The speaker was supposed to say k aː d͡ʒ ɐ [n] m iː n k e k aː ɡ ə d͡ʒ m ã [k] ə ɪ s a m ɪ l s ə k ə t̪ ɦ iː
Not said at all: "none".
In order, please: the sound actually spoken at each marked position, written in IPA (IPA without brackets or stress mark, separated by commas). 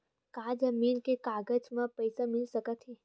none, p